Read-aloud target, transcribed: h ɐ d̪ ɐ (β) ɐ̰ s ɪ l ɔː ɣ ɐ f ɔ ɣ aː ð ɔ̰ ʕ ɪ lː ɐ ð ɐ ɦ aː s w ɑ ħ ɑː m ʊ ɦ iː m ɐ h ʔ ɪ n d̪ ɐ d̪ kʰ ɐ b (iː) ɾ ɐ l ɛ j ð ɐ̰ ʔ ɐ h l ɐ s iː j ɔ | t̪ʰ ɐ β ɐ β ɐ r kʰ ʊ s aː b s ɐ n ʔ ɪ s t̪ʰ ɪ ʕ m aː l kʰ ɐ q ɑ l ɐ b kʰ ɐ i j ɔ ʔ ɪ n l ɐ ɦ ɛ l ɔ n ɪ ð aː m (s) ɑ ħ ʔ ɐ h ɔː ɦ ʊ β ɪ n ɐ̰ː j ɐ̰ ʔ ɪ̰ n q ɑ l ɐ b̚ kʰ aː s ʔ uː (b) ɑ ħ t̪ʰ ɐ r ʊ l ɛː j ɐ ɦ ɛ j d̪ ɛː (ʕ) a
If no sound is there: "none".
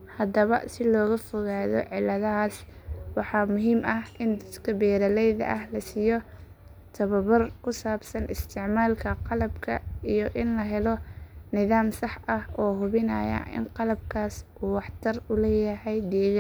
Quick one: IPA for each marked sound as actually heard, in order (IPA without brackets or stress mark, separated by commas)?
β, ɛː, s, w, ɣ